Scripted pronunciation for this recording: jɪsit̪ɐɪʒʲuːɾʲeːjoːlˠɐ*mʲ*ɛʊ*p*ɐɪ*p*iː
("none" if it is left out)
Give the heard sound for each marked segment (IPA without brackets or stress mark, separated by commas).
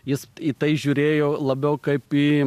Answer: bʲ, k, p